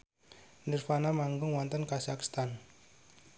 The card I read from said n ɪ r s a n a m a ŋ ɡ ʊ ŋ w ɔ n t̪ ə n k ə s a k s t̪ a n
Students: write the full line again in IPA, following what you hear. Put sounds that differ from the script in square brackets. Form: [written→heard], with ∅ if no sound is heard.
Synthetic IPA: n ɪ r [s→f] a n a m a ŋ ɡ ʊ ŋ w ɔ n t̪ ə n k [ə→a] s a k s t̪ a n